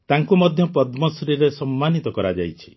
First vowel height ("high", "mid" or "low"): low